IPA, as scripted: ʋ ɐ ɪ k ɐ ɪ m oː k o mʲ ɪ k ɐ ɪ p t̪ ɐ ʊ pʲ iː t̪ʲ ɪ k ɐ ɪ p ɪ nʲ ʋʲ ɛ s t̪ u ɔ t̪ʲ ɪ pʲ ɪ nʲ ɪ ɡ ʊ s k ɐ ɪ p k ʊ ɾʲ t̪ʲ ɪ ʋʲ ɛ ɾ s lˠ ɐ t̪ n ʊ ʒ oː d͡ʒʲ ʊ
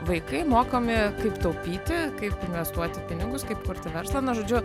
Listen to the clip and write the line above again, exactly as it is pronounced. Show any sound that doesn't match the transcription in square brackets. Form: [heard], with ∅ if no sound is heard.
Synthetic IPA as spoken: ʋ ɐ ɪ k ɐ ɪ m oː k o mʲ ɪ k ɐ ɪ p t̪ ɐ ʊ pʲ iː t̪ʲ ɪ k ɐ ɪ p ɪ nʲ ʋʲ ɛ s t̪ u ɔ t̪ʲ ɪ pʲ ɪ nʲ ɪ ɡ ʊ s k ɐ ɪ p k ʊ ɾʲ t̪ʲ ɪ ʋʲ ɛ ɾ s lˠ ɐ [∅] n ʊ ʒ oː d͡ʒʲ ʊ

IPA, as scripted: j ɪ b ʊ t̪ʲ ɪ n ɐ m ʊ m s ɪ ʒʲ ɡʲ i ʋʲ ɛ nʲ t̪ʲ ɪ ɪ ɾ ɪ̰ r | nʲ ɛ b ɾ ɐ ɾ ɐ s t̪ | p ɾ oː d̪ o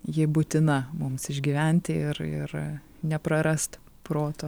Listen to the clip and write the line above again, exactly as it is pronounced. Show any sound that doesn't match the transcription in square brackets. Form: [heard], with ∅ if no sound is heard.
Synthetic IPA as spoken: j ɪ b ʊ t̪ʲ ɪ n ɐ m ʊ m s ɪ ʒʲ ɡʲ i ʋʲ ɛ nʲ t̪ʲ ɪ ɪ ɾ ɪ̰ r | nʲ ɛ [p] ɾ ɐ ɾ ɐ s t̪ | p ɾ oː [t̪] o

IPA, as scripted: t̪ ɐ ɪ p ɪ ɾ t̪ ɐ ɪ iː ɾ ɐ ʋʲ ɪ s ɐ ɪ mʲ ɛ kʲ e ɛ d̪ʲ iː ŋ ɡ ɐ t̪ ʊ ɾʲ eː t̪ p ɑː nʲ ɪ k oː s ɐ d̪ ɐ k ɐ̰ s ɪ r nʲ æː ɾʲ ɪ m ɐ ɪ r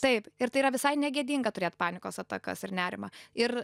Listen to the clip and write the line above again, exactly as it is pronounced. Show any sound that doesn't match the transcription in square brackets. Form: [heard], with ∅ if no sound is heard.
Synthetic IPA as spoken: t̪ ɐ ɪ p ɪ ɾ t̪ ɐ ɪ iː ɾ ɐ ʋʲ ɪ s ɐ ɪ [nʲ] ɛ [ɡʲ] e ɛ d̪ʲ iː ŋ ɡ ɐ t̪ ʊ ɾʲ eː t̪ p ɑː nʲ ɪ k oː s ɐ [t̪] ɐ k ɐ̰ s ɪ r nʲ æː ɾʲ ɪ m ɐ ɪ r

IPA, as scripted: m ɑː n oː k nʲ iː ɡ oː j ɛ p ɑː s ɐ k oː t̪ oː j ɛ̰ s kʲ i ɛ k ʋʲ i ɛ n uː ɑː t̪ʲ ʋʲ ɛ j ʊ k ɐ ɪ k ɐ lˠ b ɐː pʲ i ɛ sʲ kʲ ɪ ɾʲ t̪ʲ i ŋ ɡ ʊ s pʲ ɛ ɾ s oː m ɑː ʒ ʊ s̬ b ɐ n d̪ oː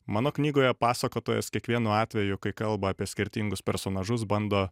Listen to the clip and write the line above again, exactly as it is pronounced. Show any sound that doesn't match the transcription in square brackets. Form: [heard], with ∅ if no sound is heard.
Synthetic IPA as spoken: m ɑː n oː k nʲ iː ɡ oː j ɛ p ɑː s ɐ k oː t̪ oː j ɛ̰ s kʲ i ɛ k ʋʲ i ɛ n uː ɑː t̪ʲ ʋʲ ɛ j ʊ k ɐ ɪ k ɐ lˠ b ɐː pʲ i ɛ sʲ kʲ ɪ ɾʲ t̪ʲ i ŋ ɡ ʊ s pʲ ɛ ɾ s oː [n] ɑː ʒ ʊ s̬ b ɐ n d̪ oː

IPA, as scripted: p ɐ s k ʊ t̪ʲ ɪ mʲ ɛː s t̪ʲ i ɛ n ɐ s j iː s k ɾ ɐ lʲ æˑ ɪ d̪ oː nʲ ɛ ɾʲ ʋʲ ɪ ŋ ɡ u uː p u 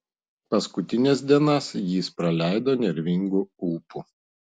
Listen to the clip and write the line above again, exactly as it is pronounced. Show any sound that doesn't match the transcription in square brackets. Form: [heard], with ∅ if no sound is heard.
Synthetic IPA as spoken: p ɐ s k ʊ t̪ʲ ɪ [nʲ] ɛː s [d̪ʲ] i ɛ n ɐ s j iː s [p] ɾ ɐ lʲ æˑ ɪ d̪ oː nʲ ɛ ɾʲ ʋʲ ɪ ŋ ɡ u uː p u

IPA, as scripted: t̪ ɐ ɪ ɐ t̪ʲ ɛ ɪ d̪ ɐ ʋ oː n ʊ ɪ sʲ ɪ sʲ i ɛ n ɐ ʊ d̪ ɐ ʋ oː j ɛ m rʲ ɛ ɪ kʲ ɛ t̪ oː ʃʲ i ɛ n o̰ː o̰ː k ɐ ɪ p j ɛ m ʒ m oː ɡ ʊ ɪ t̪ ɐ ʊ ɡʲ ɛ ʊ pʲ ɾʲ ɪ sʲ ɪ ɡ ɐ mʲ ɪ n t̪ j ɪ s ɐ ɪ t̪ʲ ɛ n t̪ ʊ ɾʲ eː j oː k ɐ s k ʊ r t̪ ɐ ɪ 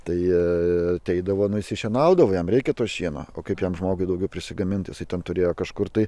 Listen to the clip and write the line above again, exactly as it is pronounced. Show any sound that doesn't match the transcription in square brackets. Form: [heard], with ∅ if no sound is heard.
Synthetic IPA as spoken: t̪ ɐ ɪ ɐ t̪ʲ ɛ ɪ d̪ ɐ ʋ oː n ʊ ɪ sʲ ɪ [ʃʲ] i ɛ n ɐ ʊ d̪ ɐ ʋ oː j ɛ m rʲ ɛ ɪ kʲ ɛ t̪ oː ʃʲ i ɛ n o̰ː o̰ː k ɐ ɪ p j ɛ m ʒ m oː ɡ ʊ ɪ [d̪] ɐ ʊ ɡʲ ɛ ʊ pʲ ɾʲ ɪ sʲ ɪ ɡ ɐ mʲ ɪ n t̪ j ɪ s ɐ ɪ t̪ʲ ɛ n t̪ ʊ ɾʲ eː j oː k ɐ [ʃ] k ʊ r t̪ ɐ ɪ

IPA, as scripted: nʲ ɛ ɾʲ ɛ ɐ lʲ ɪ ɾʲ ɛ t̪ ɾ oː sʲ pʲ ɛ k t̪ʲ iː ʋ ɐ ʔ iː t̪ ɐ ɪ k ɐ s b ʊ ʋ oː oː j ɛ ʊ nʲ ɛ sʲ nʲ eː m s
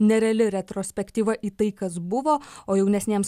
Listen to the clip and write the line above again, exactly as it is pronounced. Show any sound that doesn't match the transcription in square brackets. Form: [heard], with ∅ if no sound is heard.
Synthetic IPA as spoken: nʲ ɛ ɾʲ ɛ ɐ lʲ ɪ ɾʲ ɛ t̪ ɾ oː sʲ pʲ ɛ k t̪ʲ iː ʋ ɐ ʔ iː t̪ ɐ ɪ k ɐ s b ʊ ʋ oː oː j ɛ ʊ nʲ ɛ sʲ nʲ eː m s

